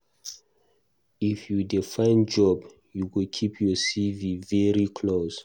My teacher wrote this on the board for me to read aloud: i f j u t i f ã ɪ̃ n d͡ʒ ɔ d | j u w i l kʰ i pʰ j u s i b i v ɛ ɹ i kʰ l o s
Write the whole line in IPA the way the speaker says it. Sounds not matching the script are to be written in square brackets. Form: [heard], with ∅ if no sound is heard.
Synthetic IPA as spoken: i f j u [d] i f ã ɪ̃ n d͡ʒ ɔ [b] | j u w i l kʰ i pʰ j [ɔ] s i [v] i v ɛ ɹ i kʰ l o s

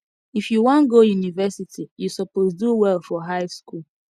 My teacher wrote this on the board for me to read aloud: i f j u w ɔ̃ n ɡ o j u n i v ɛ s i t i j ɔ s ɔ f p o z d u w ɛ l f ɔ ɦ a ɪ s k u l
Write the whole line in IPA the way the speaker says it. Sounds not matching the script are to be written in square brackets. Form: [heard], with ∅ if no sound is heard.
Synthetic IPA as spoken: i f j u w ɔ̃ n ɡ o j u n i v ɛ s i t i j [u] s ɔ [∅] p o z d u w ɛ l f ɔ ɦ a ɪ s k u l

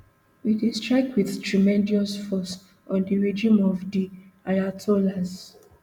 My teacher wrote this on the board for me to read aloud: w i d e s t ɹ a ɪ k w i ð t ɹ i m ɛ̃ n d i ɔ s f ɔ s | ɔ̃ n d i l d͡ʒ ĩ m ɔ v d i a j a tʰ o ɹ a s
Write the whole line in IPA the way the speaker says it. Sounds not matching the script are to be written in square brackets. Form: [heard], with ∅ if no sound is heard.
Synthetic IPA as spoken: w i d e s t ɹ a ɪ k w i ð t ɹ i m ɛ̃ n d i ɔ s f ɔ s | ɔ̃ n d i [ɹ] d͡ʒ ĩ m ɔ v d i a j a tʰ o [l] a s

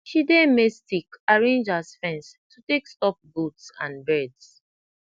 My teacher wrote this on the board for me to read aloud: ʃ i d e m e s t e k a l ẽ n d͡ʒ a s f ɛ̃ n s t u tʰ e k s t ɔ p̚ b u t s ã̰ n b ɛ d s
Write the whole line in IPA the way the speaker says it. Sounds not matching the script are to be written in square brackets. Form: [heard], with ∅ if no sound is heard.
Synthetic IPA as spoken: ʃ i d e m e s t [i] k a [ɹ] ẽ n d͡ʒ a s f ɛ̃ n s t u [t] e k s t ɔ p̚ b u t s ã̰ n b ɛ d s

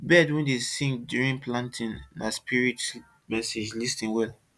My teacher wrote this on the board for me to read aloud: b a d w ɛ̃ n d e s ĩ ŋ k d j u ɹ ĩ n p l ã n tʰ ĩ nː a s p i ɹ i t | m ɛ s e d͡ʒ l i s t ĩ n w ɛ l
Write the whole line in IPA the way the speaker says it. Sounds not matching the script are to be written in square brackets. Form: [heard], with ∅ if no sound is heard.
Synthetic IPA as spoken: b [ɛ] d w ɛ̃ n d e s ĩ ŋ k d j u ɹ ĩ n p l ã n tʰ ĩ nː a s p i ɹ i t | m ɛ s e d͡ʒ l i s t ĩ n w ɛ l

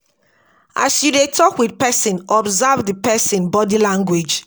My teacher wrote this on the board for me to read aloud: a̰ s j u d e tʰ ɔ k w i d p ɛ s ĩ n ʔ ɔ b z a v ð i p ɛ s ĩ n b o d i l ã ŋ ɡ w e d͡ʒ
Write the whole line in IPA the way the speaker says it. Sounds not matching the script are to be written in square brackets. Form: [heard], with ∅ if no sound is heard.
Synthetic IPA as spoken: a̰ s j u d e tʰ ɔ k w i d p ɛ s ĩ n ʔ ɔ b z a v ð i p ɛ s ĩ n b [ɔ] d i l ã ŋ ɡ w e d͡ʒ

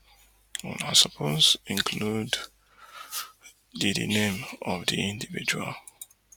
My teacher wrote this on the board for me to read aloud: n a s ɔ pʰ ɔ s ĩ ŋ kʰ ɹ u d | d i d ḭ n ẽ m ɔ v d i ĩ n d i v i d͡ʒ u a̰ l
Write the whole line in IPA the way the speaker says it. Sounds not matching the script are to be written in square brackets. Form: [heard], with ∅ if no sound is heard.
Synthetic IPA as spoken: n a s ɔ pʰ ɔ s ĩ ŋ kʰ [l] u d | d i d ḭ n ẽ m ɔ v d i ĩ n d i v i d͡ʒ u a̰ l

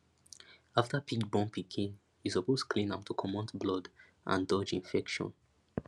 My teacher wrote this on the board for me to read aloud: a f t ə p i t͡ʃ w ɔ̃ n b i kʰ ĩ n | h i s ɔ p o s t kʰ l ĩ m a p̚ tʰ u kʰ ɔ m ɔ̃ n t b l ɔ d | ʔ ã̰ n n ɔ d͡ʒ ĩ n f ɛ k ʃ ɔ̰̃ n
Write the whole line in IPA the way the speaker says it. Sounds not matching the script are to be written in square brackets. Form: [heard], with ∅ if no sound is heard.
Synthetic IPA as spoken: a f t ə p i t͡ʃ [b] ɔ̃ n [p] i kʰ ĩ n | h i s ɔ p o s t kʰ l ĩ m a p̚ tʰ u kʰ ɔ m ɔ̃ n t b l ɔ d | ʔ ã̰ n [d] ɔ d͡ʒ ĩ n f ɛ k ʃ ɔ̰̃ n

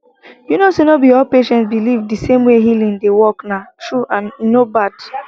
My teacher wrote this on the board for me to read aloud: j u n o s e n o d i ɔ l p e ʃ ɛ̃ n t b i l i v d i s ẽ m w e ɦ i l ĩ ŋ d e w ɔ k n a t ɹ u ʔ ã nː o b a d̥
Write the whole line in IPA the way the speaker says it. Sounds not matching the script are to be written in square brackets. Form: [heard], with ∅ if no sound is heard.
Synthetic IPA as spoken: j u n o s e n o [b] i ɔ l p e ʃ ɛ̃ n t b i l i v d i s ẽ m w e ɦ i l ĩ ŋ d e w ɔ k n a t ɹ u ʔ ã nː o b a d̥

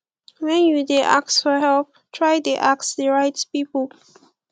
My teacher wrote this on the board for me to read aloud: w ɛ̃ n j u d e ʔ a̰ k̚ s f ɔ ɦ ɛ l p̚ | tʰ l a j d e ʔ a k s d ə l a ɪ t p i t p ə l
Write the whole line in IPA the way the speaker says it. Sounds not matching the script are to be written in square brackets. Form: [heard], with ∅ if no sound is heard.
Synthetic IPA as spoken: w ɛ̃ n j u d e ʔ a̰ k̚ s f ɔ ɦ ɛ l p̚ | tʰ [ɹ] a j d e ʔ a k s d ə [ɹ] a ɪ t p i [∅] p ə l

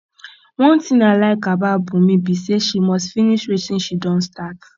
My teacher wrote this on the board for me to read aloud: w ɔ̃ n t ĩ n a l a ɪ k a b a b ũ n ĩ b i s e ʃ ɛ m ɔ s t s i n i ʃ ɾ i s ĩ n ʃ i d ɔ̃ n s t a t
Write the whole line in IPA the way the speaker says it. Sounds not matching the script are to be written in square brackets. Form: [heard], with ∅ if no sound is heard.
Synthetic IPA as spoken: w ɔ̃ n t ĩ n a l a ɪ k a b a b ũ [m] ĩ b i s e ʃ [i] m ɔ s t [f] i n i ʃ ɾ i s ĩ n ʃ i d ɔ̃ n s t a t

